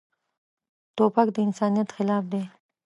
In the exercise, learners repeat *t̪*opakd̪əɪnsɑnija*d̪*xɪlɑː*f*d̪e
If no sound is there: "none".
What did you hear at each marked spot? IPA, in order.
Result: t̪, t̪, f

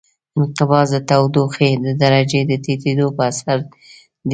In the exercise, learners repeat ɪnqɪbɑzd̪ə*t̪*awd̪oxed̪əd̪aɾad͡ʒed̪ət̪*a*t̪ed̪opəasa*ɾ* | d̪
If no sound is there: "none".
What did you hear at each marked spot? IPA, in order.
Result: t̪, e, ɾ

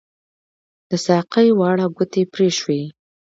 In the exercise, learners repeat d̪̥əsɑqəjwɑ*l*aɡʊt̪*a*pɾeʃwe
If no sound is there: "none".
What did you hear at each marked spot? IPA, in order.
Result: ɽ, e

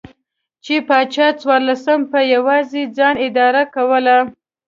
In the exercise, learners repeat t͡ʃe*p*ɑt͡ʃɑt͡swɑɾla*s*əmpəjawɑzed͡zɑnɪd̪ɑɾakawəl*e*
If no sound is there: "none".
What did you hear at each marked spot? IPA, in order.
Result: p, s, a

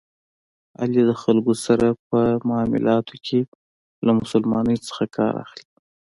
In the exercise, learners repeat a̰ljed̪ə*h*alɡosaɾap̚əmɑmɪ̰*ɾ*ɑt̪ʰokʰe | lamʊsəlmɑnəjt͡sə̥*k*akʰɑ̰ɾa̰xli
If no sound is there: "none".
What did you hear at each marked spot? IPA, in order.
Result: x, l, x

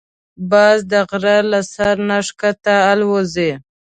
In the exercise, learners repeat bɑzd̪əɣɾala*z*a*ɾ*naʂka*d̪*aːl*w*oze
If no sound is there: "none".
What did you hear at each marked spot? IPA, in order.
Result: s, ɾ, t̪, w

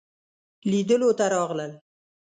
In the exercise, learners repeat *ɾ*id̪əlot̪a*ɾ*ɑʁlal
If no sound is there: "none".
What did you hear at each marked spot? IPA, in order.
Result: l, ɾ

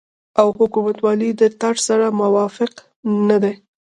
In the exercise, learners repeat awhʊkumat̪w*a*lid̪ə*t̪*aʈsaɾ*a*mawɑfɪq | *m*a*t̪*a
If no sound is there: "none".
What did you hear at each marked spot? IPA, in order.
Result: ɑ, t̪, a, n, d̪

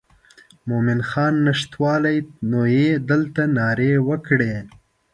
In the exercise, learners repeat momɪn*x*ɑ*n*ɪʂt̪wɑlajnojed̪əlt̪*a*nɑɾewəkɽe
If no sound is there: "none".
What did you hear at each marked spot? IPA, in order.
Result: x, nː, a

